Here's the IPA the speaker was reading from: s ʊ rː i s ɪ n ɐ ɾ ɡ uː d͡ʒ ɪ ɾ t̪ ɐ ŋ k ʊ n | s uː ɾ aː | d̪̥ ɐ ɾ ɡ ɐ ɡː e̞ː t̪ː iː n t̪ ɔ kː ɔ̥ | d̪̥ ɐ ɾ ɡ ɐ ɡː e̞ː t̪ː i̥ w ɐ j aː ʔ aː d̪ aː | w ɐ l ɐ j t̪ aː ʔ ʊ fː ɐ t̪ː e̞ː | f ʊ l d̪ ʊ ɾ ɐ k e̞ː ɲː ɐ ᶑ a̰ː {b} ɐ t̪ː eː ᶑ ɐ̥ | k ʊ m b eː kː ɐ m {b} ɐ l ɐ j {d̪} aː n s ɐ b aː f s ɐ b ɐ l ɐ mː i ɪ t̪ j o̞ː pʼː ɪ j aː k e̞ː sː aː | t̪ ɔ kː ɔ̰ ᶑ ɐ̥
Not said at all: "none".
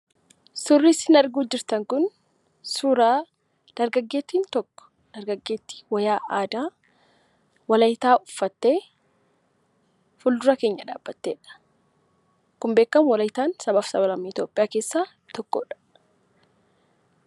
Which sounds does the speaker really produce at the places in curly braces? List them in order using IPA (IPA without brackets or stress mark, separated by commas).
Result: bː, w, t̪